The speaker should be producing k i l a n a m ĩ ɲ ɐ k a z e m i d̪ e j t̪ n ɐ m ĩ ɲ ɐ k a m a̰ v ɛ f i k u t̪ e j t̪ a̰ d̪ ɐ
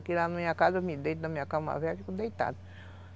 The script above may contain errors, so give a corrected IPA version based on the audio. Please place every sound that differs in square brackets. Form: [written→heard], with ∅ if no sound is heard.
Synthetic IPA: k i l a n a m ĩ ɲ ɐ k a z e m i d̪ e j t̪ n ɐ m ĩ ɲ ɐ k a m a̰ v ɛ f i k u [t̪→d̪] e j t̪ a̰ d̪ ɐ